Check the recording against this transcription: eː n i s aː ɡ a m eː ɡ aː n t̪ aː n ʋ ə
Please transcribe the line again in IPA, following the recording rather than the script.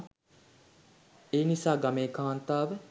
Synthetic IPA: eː n i s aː ɡ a m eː k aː n t̪ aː ʋ ə